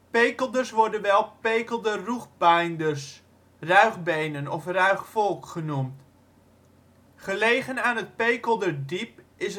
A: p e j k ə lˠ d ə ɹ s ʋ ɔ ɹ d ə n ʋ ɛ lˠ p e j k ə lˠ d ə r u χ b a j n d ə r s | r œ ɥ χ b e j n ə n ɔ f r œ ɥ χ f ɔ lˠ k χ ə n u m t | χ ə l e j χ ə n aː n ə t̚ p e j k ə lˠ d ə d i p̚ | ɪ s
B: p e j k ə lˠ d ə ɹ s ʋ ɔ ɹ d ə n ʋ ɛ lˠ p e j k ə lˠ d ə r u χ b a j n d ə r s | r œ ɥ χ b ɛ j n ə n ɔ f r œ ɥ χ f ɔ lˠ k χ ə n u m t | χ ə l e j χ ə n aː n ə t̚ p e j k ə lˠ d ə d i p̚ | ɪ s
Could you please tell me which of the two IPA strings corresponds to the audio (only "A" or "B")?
A